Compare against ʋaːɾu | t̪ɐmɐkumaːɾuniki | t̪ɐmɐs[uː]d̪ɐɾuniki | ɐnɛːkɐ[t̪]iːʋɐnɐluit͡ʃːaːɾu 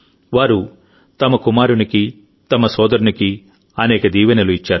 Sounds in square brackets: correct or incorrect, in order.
incorrect, incorrect

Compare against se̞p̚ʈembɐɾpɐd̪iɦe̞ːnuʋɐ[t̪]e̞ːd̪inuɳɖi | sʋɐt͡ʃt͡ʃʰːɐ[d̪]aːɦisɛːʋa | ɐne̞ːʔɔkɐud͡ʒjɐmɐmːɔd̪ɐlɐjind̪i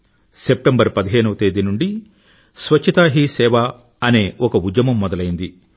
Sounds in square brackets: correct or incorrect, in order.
correct, incorrect

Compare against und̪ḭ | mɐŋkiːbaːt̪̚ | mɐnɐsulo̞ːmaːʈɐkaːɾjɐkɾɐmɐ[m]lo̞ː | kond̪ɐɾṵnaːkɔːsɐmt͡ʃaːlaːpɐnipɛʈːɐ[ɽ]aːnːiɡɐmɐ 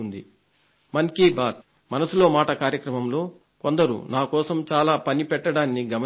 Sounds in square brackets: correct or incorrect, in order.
correct, correct

